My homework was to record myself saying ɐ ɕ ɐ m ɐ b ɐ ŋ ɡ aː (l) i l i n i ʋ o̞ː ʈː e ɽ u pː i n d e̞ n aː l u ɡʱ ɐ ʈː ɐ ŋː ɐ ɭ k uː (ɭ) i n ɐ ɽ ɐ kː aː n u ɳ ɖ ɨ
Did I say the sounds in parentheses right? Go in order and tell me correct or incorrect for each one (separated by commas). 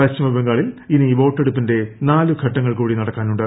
incorrect, incorrect